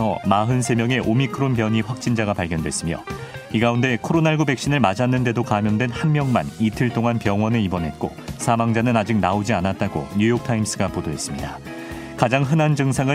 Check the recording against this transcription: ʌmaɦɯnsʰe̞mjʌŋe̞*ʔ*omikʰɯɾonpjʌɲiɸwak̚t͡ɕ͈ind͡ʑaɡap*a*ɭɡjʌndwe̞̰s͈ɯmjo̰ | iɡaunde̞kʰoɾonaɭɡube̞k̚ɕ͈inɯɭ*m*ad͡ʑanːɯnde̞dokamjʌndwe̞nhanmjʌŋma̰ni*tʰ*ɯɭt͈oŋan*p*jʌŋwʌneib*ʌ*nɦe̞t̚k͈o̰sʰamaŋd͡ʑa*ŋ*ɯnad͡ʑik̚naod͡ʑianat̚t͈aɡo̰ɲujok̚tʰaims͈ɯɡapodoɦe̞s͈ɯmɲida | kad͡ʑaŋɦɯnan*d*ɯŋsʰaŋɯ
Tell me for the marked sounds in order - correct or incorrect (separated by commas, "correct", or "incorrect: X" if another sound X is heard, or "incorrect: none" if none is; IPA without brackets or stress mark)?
correct, correct, correct, correct, correct, correct, incorrect: n, incorrect: d͡ʑ